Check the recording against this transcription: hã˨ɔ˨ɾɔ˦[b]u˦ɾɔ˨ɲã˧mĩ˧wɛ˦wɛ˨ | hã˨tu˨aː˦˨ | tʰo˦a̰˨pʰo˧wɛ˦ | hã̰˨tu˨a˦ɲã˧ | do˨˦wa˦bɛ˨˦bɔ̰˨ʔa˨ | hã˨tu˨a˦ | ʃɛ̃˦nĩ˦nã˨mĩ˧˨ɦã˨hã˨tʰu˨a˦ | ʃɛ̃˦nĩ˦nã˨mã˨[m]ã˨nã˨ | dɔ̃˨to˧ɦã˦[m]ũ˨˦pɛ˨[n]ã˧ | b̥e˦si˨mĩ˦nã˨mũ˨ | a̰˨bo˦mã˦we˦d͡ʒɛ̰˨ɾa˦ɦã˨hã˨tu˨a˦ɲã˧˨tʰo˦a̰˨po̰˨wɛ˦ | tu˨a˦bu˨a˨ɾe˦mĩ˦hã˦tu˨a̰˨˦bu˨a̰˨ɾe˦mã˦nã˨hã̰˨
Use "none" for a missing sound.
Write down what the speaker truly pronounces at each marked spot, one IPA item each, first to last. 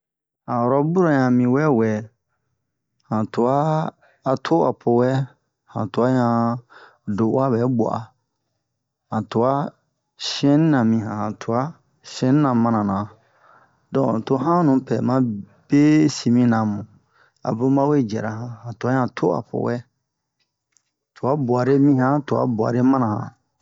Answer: b, n, n, m

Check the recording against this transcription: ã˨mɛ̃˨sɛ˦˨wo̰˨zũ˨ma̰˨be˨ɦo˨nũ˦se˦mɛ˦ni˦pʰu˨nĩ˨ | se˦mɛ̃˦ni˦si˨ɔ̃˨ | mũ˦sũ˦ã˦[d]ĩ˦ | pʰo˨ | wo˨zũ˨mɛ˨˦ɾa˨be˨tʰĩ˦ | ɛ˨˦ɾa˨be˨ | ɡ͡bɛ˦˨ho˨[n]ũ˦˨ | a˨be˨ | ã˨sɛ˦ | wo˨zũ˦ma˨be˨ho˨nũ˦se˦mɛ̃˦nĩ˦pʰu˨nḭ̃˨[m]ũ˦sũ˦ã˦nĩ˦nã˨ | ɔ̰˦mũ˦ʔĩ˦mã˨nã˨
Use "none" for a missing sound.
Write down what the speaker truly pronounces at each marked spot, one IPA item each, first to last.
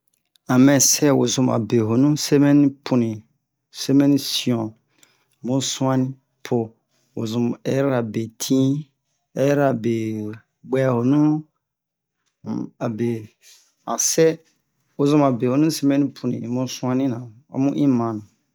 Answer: n, n, m

